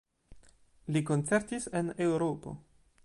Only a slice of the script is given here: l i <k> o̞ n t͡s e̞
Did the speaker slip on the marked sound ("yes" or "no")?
no